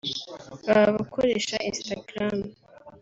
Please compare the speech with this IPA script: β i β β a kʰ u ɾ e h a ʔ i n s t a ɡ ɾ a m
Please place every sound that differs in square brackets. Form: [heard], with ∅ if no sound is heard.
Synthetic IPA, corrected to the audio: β [a] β β a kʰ [o] ɾ e [ʃ] a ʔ i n s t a ɡ ɾ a m